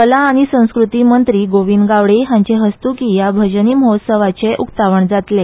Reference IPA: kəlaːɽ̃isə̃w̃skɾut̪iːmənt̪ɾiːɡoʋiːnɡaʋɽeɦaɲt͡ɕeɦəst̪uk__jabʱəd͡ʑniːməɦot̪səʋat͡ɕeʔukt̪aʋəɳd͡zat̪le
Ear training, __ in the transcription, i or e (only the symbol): i